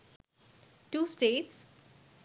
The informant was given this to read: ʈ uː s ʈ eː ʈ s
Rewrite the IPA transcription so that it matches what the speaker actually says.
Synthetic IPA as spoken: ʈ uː s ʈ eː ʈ s